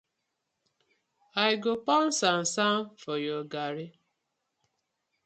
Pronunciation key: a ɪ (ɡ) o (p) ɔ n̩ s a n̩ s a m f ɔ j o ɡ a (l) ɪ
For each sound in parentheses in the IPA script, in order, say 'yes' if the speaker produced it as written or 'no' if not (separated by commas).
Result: yes, yes, no